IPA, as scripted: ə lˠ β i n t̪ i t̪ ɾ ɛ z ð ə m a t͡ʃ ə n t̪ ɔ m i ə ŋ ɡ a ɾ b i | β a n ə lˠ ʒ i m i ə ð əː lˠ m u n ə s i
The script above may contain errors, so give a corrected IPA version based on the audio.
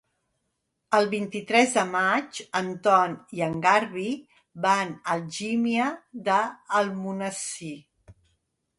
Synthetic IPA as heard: ə lˠ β i n t̪ i t̪ ɾ ɛ z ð ə m a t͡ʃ ə n t̪ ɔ n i ə ŋ ɡ a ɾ β i | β a n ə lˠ ʒ i m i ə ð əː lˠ m u n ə s i